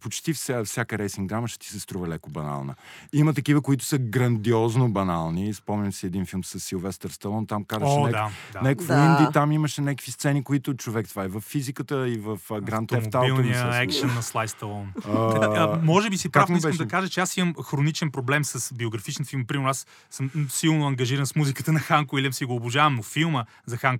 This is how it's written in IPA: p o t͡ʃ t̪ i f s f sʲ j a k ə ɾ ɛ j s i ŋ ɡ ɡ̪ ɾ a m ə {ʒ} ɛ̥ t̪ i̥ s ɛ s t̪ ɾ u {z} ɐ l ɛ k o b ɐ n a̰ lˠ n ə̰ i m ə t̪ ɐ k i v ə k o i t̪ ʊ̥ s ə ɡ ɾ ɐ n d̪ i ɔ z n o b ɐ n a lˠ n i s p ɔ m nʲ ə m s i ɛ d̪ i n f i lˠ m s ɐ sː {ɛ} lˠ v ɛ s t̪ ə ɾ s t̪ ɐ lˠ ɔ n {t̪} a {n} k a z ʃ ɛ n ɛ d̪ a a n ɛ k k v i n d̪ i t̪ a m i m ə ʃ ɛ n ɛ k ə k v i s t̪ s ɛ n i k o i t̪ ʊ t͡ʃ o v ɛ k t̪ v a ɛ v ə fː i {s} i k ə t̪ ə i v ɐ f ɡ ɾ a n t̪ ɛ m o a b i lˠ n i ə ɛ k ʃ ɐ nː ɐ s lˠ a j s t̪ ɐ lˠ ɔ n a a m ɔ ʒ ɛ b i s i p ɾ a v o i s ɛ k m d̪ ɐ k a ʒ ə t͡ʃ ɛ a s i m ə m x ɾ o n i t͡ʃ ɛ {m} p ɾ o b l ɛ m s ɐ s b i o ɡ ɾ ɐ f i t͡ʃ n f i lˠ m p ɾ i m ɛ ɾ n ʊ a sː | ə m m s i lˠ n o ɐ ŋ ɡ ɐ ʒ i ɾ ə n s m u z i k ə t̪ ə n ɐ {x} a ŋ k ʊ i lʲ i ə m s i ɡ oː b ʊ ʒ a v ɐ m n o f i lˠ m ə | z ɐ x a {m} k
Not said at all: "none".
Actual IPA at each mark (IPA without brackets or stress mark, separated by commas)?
ʃ, v, i, t̪, m, z, n, x, ŋ